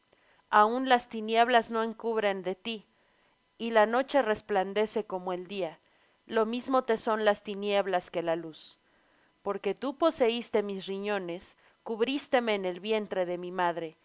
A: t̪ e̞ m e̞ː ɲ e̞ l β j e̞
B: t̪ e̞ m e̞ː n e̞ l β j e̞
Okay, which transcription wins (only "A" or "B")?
B